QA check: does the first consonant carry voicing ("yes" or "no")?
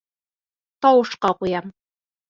no